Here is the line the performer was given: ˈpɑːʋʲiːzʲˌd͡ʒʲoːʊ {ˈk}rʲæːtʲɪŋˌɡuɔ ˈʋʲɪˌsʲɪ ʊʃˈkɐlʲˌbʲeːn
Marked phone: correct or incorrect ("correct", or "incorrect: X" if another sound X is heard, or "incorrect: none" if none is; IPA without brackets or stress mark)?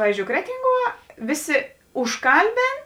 correct